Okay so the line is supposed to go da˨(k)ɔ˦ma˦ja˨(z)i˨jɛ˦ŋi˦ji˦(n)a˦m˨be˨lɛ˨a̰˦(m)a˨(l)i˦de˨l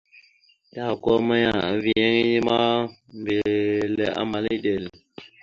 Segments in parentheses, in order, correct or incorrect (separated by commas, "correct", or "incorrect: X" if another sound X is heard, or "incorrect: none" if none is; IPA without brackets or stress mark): correct, incorrect: v, incorrect: m, correct, correct